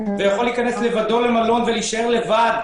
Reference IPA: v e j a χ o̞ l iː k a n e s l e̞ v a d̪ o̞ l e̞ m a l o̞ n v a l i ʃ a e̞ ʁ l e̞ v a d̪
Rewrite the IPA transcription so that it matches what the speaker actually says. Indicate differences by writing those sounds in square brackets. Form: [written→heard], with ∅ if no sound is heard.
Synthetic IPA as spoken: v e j a χ o̞ l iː k a n e s l e̞ v a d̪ o̞ l e̞ m a l o̞ n v [a→e] l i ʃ a e̞ ʁ l e̞ v a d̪

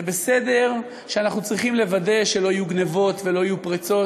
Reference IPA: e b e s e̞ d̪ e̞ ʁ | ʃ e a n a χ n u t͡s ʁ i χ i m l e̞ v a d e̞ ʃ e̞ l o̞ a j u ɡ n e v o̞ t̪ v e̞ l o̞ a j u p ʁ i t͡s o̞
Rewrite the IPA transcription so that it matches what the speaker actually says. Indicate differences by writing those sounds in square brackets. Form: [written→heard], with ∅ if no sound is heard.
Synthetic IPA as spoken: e b e s e̞ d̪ e̞ ʁ | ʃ e a n a χ n u t͡s ʁ i χ i m l e̞ v a d e̞ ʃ e̞ l o̞ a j u ɡ n e v o̞ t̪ v e̞ l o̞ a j u p ʁ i t͡s o̞

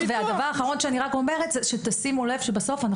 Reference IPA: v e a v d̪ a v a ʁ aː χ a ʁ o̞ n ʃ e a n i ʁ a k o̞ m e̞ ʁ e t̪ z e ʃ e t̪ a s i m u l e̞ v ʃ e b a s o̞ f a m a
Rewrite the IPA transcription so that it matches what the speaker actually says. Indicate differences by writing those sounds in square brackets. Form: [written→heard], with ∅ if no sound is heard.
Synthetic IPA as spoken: v e a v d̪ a v a ʁ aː χ a ʁ o̞ n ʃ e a n i ʁ a k o̞ m e̞ ʁ e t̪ z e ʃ e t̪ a s i m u l e̞ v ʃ e b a s o̞ f a [m→n] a

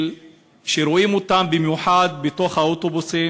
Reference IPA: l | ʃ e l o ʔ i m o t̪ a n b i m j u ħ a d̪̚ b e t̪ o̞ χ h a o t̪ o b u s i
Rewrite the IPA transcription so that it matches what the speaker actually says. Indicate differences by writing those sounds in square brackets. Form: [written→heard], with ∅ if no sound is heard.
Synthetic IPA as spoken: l | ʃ e [l→ɾ] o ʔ i m o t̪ a [n→m] b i m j u ħ a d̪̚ b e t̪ o̞ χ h a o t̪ o b u s i

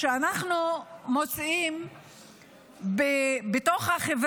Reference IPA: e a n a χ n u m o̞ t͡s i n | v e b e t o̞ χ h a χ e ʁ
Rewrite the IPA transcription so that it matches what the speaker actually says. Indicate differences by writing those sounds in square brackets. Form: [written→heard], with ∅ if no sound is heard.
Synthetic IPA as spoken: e a n a χ n u m o̞ t͡s i [n→m] | [v→b] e b e t o̞ χ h a χ e [ʁ→v]

